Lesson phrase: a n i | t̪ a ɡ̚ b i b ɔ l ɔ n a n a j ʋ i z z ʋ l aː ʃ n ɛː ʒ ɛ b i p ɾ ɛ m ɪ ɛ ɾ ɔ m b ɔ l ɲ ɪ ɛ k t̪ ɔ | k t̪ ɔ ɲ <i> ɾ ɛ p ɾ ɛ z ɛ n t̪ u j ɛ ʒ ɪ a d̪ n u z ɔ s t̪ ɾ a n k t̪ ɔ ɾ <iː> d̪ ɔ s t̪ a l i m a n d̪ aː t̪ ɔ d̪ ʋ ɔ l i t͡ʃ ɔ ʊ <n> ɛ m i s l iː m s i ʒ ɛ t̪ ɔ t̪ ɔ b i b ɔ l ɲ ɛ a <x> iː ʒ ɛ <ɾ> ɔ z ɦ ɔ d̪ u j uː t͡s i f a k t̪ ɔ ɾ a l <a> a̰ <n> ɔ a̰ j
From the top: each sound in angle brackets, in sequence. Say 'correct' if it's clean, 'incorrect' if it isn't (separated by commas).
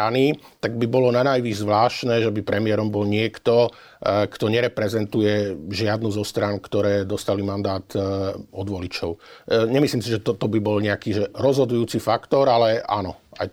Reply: incorrect, incorrect, incorrect, incorrect, correct, incorrect, correct